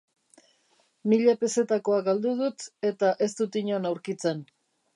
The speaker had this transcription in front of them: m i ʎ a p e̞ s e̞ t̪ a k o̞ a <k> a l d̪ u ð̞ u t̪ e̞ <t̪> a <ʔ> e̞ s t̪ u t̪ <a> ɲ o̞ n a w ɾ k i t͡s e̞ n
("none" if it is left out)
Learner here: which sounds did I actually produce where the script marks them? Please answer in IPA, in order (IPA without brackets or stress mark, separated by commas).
ɡ, t̪, ʔ, i